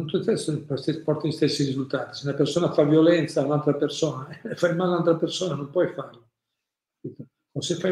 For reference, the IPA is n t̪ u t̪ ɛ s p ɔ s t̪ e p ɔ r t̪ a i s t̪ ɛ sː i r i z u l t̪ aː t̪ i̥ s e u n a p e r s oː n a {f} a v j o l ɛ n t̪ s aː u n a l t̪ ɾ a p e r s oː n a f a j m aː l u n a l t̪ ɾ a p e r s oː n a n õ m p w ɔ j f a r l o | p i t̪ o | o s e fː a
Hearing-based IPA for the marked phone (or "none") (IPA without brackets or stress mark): f